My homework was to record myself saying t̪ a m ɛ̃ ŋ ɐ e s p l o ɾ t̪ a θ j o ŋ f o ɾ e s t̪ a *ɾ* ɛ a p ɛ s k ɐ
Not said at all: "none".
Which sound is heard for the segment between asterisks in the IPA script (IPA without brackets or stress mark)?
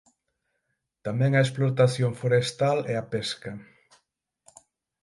l